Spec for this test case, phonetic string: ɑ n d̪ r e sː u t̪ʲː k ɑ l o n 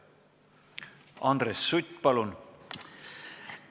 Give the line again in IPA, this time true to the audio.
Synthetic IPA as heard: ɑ n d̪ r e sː u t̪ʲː p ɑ l u n